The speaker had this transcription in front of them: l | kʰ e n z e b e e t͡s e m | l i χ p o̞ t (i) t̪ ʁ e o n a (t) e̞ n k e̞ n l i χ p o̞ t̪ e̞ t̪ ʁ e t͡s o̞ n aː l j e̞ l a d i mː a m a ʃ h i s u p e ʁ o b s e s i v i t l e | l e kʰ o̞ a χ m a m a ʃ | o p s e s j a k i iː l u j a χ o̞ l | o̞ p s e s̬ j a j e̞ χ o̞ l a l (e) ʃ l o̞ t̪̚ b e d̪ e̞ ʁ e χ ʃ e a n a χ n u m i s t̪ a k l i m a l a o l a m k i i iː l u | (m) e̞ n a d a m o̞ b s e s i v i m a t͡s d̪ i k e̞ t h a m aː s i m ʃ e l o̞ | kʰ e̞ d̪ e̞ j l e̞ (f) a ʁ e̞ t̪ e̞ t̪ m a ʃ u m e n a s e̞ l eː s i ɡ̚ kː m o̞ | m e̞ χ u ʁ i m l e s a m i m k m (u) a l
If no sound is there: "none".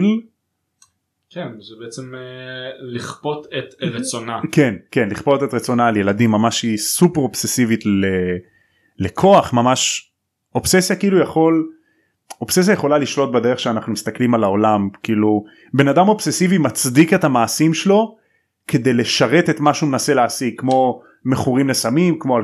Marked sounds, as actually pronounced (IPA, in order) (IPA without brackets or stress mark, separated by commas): e, k, i, b, ʃ, o